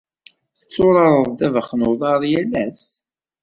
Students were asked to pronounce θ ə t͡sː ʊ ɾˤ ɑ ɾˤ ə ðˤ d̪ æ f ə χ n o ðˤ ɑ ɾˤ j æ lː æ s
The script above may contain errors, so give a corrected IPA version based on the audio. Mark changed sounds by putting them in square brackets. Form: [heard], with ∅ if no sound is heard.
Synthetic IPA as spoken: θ ə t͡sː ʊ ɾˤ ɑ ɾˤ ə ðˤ d̪ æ [v] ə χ n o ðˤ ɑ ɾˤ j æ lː æ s